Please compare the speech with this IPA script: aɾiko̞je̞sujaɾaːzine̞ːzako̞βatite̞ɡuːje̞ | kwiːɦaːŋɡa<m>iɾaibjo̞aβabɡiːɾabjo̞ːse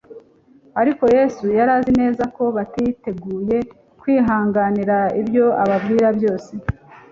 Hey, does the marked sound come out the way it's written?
no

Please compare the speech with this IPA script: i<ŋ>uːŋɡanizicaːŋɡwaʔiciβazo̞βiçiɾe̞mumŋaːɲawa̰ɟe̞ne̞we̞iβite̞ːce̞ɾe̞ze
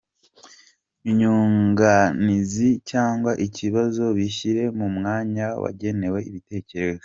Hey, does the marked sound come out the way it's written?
no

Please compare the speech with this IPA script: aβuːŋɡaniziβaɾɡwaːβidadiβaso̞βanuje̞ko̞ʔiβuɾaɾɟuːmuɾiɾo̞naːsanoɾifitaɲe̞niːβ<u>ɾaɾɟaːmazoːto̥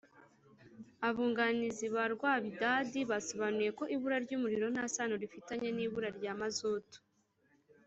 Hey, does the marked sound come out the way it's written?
yes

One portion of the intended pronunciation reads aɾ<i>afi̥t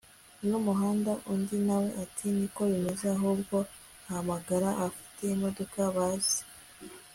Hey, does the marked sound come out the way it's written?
no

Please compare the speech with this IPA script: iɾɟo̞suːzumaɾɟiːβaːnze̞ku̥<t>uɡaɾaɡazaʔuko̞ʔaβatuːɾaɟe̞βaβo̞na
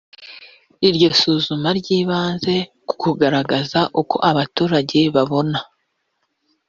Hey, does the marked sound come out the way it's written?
no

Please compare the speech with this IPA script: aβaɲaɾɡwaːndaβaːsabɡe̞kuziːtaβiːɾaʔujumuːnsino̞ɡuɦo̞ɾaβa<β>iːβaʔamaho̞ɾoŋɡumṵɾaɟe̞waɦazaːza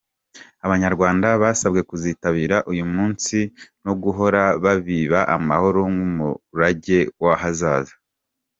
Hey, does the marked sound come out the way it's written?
yes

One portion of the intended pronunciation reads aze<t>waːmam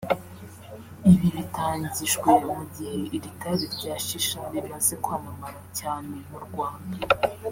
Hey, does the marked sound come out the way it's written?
no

